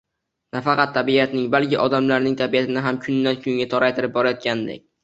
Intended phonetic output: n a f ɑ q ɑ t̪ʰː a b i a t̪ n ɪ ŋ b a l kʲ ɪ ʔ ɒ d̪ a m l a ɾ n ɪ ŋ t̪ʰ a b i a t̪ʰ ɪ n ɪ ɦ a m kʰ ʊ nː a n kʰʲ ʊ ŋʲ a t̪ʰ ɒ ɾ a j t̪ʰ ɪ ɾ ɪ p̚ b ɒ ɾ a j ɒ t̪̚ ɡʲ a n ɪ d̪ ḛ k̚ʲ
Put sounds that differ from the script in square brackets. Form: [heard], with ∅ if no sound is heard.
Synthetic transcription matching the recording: n a f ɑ q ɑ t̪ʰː a b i a t̪ n ɪ ŋ b a l kʲ ɪ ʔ ɒ d̪ a m l a ɾ n ɪ ŋ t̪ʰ a b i a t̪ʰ ɪ n ɪ ɦ a m kʰ ʊ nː a n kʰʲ ʊ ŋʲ a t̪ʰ ɒ ɾ a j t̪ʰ ɪ ɾ ɪ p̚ b ɒ ɾ a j ɒ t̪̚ [kʲ] a n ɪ d̪ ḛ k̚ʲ